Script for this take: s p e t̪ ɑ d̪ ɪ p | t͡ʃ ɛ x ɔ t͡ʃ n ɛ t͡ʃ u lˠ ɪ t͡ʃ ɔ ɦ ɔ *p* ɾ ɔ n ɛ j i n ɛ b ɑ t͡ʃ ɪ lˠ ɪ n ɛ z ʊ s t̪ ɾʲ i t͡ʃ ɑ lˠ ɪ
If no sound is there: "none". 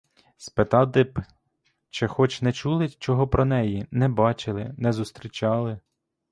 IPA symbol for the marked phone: p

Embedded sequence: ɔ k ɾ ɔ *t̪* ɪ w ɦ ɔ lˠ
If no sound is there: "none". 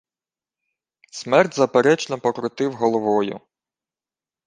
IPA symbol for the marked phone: t̪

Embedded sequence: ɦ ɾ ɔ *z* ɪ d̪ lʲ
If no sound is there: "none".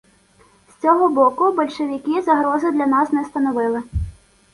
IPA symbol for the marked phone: z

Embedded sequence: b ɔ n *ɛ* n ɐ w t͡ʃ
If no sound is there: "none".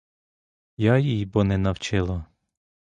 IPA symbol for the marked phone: ɛ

